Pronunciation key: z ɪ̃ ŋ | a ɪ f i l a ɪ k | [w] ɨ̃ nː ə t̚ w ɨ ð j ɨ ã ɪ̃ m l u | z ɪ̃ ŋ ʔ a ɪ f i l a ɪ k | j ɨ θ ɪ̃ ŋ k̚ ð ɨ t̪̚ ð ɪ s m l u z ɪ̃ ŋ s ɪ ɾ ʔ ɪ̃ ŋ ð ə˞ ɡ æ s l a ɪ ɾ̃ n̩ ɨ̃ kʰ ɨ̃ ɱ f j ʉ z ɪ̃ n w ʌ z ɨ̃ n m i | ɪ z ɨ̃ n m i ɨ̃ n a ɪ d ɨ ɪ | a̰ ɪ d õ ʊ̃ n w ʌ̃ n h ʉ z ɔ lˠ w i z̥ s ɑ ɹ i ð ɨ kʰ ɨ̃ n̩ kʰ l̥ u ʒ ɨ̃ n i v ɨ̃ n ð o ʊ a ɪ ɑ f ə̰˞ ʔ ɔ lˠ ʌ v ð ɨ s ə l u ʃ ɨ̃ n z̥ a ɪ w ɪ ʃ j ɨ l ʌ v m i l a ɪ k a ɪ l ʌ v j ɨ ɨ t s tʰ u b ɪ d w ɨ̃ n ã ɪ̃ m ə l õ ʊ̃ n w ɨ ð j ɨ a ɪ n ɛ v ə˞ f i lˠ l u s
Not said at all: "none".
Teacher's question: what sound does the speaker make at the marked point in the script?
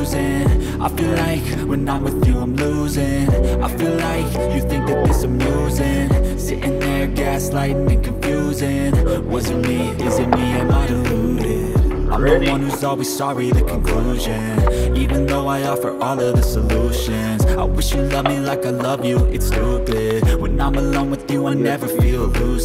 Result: w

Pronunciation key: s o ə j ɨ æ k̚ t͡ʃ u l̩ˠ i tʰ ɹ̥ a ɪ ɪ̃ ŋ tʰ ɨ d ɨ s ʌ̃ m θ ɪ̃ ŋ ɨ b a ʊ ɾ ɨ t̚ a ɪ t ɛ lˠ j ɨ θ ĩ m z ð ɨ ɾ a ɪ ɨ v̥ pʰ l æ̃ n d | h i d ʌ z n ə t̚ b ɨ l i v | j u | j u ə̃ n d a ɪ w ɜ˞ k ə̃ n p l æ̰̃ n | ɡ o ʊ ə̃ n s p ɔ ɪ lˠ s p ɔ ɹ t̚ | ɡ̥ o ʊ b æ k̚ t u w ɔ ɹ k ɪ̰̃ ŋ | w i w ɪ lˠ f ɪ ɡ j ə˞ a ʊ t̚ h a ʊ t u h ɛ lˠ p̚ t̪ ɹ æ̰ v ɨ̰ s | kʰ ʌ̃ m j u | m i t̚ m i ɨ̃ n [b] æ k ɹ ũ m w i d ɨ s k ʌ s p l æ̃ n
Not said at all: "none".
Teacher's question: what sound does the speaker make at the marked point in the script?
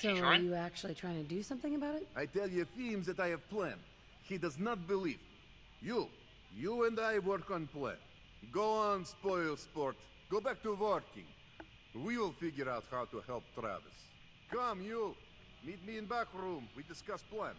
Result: b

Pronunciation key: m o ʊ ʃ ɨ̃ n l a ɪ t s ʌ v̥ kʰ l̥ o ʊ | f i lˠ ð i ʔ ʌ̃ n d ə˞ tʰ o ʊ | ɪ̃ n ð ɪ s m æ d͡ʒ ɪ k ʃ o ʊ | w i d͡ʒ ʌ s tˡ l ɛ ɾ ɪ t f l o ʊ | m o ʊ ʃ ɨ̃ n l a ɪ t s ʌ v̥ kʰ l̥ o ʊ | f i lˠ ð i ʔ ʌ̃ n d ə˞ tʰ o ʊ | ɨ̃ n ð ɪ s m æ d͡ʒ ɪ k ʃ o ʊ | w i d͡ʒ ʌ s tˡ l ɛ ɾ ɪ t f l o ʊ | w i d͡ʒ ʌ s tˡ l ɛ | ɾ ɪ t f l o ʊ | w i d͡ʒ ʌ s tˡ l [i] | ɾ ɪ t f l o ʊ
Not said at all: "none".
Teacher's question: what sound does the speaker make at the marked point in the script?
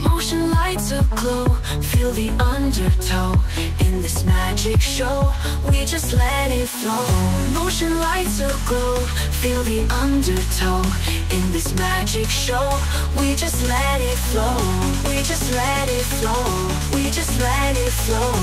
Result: ɛ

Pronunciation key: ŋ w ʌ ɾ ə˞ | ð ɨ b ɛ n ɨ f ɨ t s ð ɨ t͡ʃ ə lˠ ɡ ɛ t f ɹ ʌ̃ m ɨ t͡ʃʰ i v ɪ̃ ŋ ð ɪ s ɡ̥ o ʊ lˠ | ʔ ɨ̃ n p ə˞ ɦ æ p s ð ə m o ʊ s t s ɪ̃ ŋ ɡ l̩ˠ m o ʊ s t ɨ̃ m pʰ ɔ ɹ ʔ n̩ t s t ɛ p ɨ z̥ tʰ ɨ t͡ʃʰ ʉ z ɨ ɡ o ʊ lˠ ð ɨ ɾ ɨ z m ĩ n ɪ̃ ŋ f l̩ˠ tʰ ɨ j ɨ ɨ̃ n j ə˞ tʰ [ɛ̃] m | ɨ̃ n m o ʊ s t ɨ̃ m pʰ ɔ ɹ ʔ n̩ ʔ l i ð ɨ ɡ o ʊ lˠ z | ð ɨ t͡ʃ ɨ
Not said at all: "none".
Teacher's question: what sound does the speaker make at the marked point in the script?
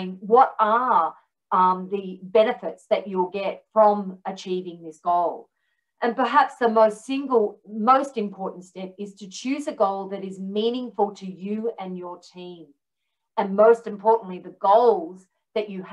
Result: ĩ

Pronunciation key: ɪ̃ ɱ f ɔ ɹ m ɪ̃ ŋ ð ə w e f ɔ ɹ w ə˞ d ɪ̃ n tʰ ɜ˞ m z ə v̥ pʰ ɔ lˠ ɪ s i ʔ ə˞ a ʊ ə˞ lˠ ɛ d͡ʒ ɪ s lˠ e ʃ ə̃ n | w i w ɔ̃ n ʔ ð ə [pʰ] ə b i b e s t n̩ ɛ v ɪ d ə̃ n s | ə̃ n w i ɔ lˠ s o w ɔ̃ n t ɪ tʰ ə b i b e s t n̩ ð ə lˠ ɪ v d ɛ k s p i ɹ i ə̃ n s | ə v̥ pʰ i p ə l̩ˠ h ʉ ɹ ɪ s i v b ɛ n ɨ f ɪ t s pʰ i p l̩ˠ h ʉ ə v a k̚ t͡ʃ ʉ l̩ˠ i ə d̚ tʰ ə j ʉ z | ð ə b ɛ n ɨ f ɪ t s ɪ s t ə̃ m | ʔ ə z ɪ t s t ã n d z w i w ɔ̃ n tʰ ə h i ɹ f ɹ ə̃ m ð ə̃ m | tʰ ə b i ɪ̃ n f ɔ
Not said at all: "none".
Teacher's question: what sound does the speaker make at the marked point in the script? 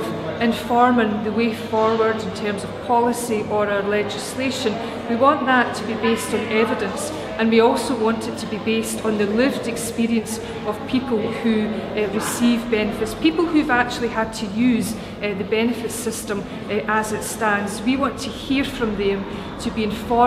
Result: tʰ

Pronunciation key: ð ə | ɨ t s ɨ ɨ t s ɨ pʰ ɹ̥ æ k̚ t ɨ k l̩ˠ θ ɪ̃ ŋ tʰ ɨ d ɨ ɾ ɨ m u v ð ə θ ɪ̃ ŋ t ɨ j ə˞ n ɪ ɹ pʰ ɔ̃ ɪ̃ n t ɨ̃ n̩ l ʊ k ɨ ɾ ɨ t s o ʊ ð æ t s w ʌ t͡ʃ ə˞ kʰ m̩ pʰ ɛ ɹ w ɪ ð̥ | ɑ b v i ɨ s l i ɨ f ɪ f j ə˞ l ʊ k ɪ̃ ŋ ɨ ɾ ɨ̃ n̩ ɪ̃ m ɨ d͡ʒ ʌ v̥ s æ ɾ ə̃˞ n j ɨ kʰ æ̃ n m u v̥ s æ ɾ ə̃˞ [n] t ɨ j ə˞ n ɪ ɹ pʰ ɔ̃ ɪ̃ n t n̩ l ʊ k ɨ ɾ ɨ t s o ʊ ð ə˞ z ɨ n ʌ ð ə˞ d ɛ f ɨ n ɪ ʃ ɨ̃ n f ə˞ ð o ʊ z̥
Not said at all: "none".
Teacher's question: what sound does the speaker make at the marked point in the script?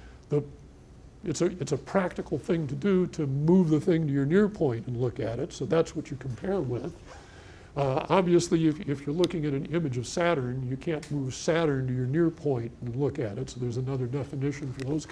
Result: n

